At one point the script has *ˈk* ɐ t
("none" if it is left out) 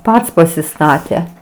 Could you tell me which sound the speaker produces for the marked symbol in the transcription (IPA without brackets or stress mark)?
p